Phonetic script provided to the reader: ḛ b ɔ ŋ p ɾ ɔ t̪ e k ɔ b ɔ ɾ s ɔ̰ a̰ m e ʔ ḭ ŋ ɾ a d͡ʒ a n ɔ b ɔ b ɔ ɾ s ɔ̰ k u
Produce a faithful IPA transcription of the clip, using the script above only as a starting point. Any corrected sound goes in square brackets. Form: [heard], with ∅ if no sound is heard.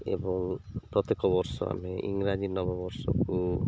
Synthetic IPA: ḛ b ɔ ŋ p ɾ ɔ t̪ e k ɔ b ɔ ɾ s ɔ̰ a̰ m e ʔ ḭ ŋ ɾ a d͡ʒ [i] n ɔ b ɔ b ɔ ɾ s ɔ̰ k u

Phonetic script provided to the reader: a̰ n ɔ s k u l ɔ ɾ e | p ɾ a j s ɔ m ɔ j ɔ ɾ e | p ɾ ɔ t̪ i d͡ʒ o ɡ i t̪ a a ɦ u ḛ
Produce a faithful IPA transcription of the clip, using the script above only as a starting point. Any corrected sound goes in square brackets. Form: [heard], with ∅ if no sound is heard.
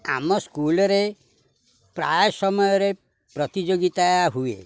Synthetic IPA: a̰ [m] ɔ s k u l ɔ ɾ e | p ɾ a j s ɔ m ɔ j ɔ ɾ e | p ɾ ɔ t̪ i d͡ʒ o ɡ i t̪ a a ɦ u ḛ

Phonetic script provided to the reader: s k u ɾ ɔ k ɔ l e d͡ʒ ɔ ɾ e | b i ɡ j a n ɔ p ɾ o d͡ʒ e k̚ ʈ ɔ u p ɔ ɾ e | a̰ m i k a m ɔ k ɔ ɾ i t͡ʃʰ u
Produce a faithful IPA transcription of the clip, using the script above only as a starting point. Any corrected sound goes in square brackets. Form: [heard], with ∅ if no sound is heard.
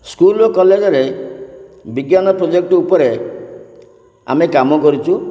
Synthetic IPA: s k u [l] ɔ k ɔ l e d͡ʒ ɔ ɾ e | b i ɡ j a n ɔ p ɾ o d͡ʒ e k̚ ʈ ɔ u p ɔ ɾ e | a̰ m [e] k a m ɔ k ɔ ɾ i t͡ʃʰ u

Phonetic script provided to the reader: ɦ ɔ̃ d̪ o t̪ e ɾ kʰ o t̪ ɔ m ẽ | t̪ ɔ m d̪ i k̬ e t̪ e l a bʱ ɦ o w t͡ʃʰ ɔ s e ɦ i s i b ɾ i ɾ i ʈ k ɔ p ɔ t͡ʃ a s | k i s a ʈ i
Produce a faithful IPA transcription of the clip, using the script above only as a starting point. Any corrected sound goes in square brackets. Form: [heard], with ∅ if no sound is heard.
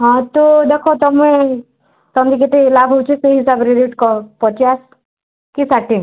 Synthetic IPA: ɦ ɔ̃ [t̪] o [d̪] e [∅] kʰ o t̪ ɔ m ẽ | t̪ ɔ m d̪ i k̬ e t̪ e l a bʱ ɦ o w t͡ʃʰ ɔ s e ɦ i s [a] b ɾ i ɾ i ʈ k ɔ p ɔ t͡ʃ a s | k i s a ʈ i

